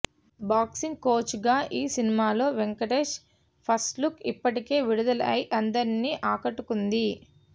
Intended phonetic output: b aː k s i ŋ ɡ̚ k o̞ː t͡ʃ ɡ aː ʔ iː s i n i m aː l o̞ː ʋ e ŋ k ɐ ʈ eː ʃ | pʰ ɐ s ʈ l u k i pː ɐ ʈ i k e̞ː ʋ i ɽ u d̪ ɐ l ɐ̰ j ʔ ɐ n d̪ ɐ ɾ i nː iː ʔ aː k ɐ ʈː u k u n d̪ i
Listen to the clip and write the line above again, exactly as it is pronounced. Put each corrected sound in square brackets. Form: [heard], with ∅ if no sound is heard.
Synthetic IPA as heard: b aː k s i ŋ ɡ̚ k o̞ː t͡ʃ ɡ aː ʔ iː s i n i m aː l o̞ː ʋ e ŋ k ɐ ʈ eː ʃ | pʰ ɐ s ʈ l u k i pː ɐ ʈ i k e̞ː ʋ i ɽ u d̪ ɐ l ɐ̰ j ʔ ɐ n d̪ ɐ ɾ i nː iː ʔ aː k ɐ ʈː u k u n d̪ i